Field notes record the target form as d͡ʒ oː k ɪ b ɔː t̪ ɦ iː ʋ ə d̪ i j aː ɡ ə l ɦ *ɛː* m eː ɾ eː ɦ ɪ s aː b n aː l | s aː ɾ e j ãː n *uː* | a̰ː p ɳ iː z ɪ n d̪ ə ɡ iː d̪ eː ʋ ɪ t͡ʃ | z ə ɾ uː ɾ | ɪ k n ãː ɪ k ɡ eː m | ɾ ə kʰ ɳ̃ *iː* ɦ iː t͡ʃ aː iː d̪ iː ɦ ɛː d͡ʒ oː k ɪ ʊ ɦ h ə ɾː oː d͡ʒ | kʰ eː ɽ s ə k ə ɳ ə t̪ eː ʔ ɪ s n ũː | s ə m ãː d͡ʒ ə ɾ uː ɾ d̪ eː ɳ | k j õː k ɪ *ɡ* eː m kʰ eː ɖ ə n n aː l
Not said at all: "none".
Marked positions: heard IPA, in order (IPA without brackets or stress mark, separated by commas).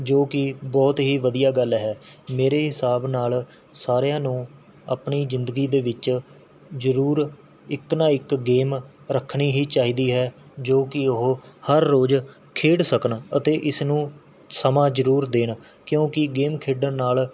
ɛː, ũː, iː, ɡ